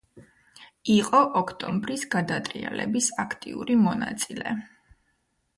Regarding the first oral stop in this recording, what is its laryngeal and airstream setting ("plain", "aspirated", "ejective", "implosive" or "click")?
ejective